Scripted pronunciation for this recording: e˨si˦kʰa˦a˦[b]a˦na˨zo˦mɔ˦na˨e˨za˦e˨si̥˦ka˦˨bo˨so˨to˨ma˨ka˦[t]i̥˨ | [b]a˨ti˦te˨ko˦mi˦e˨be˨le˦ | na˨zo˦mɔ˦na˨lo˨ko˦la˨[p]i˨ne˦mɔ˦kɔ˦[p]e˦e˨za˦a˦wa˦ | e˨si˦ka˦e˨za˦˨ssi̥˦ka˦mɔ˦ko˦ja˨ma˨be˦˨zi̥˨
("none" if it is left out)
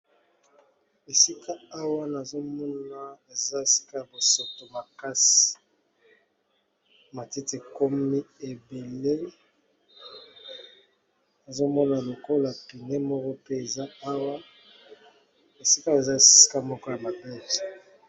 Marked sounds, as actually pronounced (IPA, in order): w, s, m, p, p

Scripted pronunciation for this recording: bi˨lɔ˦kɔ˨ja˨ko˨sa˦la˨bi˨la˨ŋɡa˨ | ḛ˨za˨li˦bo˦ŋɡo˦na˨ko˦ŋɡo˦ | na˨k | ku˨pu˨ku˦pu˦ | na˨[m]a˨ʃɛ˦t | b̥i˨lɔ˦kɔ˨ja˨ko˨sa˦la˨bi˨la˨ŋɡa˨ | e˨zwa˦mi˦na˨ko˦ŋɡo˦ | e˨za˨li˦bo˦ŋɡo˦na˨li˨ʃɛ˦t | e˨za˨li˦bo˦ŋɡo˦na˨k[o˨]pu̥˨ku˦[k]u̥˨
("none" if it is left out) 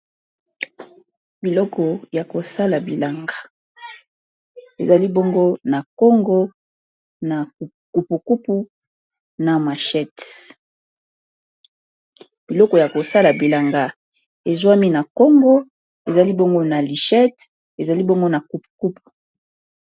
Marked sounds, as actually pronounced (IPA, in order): m, u˨, p

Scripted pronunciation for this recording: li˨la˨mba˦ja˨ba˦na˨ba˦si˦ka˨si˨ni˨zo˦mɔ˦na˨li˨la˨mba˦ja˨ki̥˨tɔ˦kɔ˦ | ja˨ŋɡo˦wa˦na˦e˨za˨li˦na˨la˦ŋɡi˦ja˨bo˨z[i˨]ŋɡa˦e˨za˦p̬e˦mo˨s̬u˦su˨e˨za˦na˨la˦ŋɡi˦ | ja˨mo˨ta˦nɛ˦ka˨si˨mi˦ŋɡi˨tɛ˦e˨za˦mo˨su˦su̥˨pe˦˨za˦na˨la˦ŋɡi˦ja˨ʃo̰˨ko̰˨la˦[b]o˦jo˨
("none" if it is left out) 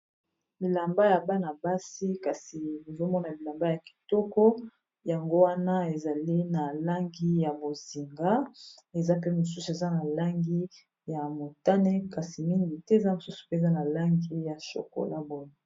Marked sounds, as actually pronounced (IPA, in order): i˨, b

